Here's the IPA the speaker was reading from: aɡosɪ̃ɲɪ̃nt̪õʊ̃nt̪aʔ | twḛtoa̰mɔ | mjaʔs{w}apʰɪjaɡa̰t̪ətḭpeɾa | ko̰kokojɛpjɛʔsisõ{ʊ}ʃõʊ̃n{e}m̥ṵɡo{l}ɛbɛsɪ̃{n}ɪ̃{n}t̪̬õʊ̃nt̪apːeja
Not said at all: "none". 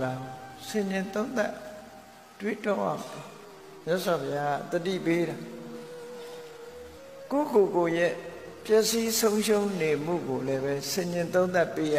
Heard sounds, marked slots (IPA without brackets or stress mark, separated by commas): w, ʊ̃, e, l, ɲ, n